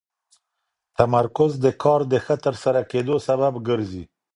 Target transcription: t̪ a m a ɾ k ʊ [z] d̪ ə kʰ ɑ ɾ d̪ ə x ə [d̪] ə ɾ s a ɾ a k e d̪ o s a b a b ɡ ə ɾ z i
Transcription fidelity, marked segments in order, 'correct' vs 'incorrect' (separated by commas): correct, incorrect